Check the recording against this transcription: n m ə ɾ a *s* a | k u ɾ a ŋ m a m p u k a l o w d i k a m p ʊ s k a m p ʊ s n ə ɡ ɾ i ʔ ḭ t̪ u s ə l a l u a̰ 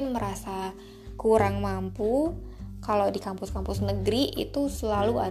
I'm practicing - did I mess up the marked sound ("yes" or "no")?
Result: no